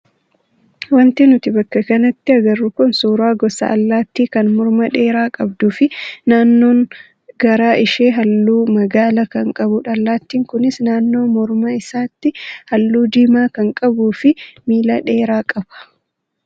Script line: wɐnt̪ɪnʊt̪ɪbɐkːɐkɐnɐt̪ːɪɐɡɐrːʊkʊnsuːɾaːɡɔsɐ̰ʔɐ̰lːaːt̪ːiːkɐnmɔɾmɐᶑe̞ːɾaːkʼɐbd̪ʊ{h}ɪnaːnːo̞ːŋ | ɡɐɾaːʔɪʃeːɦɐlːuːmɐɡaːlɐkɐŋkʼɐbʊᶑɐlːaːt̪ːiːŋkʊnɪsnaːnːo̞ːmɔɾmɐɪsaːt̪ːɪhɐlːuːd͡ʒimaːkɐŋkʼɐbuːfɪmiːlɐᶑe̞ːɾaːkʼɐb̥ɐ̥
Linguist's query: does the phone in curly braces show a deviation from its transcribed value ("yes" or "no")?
yes